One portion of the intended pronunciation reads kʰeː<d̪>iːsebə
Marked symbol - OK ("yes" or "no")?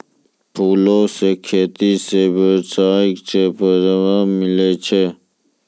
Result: no